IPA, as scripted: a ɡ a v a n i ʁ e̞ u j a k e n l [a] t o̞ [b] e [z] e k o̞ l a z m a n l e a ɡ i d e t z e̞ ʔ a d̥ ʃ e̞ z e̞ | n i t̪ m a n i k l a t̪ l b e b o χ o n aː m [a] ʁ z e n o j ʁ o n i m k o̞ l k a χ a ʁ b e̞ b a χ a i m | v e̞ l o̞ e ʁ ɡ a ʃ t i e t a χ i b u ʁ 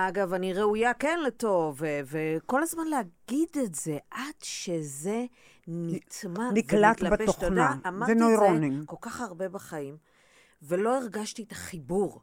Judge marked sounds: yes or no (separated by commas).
no, no, no, yes